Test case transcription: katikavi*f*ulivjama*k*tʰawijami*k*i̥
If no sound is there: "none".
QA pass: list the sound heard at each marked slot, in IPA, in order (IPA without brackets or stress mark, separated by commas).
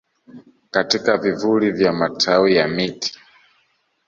v, none, t